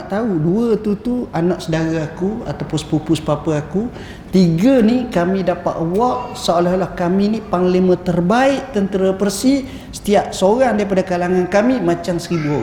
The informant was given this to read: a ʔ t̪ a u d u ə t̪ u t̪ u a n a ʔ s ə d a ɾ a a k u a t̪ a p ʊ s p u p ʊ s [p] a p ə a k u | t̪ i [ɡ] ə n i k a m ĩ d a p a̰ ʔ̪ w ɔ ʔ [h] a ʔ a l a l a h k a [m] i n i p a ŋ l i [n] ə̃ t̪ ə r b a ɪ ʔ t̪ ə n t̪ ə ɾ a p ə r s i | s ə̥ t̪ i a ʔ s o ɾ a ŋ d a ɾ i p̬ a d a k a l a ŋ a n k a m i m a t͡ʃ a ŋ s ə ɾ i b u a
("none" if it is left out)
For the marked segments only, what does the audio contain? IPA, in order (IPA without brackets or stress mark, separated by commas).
p, ɡ, s, m, m